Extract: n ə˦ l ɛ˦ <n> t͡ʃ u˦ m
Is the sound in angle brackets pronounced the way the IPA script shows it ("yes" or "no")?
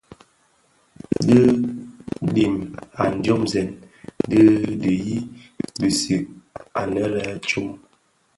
no